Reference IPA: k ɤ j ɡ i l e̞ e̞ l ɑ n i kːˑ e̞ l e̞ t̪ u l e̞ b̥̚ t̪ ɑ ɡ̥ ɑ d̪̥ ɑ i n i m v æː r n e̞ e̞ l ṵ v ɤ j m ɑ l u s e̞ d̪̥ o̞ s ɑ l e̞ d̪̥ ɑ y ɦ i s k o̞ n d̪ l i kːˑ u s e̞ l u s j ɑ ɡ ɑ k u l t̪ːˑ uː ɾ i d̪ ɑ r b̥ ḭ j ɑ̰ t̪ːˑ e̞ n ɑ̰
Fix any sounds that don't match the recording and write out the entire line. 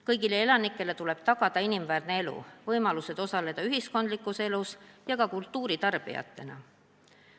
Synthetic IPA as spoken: k ɤ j ɡ i l e̞ e̞ l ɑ n i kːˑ e̞ l e̞ t̪ u l e̞ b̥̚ t̪ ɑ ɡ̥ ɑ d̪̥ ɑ i n i m v æː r n e̞ e̞ l ṵ v ɤ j m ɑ l u s e̞ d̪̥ o̞ s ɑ l e̞ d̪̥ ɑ y ɦ i s k o̞ n d̪ l i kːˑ u s e̞ l u s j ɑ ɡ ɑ k u l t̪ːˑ uː ɾ i t̪ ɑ r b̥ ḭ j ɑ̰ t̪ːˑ e̞ n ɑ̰